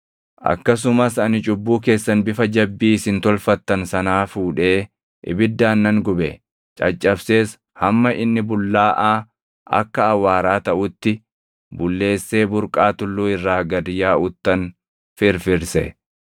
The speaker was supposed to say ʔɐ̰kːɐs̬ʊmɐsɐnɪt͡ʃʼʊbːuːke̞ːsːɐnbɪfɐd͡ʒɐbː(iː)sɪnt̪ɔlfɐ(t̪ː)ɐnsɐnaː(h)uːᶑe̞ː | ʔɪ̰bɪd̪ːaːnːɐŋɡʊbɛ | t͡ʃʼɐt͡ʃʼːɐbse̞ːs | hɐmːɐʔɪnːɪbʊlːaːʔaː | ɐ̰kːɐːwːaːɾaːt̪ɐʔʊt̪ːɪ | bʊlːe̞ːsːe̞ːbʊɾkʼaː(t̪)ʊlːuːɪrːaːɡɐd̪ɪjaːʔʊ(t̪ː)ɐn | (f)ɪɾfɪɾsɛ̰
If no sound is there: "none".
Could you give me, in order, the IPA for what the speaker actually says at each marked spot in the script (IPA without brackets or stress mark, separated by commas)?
iː, t̪ː, f, t̪, t̪ː, f